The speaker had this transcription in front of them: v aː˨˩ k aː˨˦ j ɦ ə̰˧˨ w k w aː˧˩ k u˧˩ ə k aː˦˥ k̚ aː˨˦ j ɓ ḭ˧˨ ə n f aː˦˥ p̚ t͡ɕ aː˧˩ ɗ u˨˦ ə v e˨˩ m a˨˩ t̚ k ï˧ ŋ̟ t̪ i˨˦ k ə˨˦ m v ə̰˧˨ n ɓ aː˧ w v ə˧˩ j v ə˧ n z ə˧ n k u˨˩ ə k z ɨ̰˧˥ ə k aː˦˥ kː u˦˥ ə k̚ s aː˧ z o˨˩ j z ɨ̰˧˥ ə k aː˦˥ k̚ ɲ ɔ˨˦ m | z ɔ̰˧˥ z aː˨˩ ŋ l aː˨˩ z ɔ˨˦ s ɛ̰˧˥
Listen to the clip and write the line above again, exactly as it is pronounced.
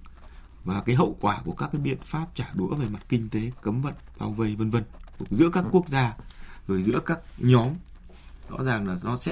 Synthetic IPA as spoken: v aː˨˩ k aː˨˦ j ɦ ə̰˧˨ w k w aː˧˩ k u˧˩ ə k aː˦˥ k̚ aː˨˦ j ɓ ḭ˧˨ ə n f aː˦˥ p̚ t͡ɕ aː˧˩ ɗ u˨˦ ə v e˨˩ m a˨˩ t̚ k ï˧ ŋ̟ t̪ e˨˦ k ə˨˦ m v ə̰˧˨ n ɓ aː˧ w v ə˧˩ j v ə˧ n v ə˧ n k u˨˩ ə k z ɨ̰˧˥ ə k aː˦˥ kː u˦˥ ə k̚ z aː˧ z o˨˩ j z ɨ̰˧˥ ə k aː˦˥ k̚ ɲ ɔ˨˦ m | z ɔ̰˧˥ z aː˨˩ ŋ l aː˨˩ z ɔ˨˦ s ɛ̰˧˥